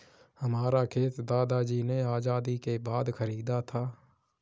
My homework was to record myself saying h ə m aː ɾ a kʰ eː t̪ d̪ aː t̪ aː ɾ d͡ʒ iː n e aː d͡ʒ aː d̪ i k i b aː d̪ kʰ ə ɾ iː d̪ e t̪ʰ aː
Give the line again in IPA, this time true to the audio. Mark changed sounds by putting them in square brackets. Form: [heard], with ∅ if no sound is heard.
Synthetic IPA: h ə m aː ɾ a kʰ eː t̪ d̪ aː [d̪] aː [∅] d͡ʒ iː n e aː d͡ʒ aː d̪ i k [e] b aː d̪ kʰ ə ɾ iː d̪ [a] t̪ʰ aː